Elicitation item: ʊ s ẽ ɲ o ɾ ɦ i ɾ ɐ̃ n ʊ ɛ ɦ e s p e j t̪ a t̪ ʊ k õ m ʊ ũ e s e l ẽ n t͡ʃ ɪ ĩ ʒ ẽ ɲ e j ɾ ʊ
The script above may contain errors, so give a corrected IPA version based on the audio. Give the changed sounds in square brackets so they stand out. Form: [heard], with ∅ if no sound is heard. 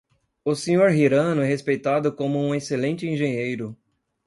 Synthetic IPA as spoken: ʊ s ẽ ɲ o ɾ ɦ i ɾ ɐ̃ n ʊ ɛ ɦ e s p e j t̪ a [d̪] ʊ k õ m ʊ ũ e s e l ẽ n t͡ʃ ɪ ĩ ʒ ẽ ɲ e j ɾ ʊ